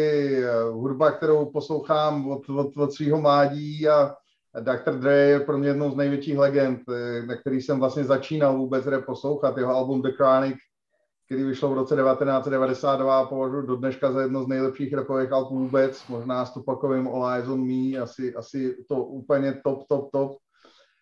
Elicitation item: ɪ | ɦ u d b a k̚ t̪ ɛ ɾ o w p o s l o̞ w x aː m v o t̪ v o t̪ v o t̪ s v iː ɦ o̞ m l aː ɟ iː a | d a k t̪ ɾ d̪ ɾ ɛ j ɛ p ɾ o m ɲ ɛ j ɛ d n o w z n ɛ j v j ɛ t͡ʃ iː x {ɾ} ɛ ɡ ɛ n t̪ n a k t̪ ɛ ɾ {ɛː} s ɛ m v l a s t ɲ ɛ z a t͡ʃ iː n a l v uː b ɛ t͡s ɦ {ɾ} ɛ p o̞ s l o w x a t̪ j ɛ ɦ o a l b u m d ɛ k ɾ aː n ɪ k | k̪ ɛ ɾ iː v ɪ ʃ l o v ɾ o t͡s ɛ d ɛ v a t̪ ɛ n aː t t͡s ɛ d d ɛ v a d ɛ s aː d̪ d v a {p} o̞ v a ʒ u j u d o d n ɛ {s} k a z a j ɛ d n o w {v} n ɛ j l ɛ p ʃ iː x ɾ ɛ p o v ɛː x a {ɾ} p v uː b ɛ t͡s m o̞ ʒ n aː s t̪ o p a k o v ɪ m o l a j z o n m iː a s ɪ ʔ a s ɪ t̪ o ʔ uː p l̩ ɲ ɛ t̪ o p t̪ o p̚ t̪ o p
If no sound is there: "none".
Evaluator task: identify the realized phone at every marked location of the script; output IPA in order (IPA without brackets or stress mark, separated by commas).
l, iː, ɾ, p, ʃ, z, l